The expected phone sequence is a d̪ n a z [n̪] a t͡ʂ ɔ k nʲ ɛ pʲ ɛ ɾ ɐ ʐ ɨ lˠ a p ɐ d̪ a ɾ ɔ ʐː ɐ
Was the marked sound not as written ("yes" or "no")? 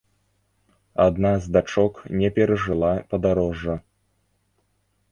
yes